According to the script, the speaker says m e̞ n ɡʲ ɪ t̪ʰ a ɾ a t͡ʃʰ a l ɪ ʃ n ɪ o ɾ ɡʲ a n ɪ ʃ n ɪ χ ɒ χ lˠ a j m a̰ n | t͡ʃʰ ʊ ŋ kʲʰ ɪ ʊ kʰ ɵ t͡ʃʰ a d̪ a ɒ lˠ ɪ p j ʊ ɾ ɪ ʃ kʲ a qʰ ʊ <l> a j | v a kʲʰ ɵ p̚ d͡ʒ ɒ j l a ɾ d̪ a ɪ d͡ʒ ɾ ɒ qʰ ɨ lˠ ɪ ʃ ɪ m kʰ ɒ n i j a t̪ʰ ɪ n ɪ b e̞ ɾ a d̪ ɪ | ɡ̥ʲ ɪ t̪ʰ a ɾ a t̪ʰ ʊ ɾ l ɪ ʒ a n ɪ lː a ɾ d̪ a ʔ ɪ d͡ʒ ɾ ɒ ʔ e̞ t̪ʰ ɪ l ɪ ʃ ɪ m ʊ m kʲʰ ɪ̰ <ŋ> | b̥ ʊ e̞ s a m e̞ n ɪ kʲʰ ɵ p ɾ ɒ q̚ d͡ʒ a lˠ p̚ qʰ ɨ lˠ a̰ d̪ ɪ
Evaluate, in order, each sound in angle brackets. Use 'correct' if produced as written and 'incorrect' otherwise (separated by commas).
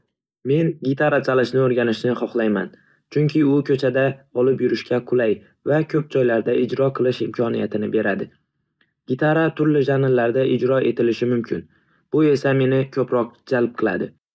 correct, incorrect